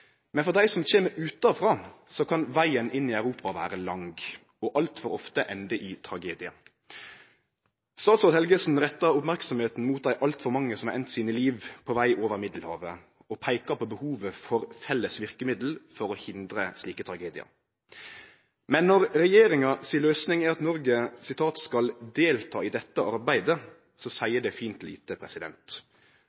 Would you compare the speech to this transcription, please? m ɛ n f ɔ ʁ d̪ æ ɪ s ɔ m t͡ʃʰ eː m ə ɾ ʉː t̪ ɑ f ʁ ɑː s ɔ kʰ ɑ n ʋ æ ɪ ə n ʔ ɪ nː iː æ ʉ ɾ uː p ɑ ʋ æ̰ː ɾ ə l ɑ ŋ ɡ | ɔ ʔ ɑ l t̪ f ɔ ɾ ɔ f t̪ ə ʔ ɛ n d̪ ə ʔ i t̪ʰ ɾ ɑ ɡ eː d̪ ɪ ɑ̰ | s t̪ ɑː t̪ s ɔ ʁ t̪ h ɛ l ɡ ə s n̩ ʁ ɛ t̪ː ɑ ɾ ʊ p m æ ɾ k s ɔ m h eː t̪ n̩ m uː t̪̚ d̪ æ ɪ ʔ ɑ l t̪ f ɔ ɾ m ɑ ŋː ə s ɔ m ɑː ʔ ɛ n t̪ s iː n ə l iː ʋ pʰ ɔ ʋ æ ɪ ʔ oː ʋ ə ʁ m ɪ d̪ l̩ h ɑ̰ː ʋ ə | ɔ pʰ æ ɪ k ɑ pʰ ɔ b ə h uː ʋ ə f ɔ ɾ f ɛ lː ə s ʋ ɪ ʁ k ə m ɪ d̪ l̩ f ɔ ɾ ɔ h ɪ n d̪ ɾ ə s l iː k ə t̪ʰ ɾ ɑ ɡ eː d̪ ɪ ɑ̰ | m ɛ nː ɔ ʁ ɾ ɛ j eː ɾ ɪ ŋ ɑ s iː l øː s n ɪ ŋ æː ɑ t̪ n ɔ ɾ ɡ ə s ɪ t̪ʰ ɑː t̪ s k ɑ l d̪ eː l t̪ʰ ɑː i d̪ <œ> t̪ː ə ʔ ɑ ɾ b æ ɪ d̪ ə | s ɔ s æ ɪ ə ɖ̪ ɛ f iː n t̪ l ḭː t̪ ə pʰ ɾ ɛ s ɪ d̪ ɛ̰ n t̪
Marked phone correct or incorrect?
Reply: incorrect